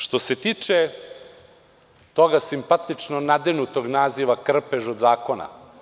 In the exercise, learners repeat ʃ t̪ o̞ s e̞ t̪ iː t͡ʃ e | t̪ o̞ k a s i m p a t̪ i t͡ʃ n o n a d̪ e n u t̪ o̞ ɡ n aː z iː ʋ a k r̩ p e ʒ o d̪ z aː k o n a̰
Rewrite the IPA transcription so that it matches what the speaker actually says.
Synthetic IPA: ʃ t̪ o̞ s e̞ t̪ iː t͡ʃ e | t̪ o̞ ɡ a s i m p a t̪ i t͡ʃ n o n a d̪ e n u t̪ o̞ ɡ n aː z i ʋ a k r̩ p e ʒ o d̪ z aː k o n a̰